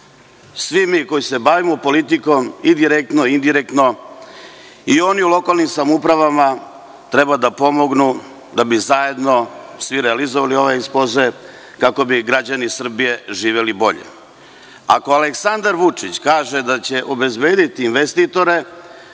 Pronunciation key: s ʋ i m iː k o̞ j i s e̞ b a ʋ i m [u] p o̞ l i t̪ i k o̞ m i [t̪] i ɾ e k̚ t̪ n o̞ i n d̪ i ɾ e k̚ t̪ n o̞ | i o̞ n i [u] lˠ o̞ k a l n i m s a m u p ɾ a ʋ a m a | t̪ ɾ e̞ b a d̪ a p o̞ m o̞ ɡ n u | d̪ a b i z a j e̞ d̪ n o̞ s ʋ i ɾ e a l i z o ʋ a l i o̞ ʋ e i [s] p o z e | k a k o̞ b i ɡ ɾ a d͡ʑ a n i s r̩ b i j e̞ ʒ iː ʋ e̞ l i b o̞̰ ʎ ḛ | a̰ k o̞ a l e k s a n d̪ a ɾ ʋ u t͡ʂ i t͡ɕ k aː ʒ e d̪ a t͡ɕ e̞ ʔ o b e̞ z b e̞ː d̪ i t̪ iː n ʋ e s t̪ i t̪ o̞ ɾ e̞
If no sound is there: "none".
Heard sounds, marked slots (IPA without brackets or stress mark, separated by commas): o, d̪, u, s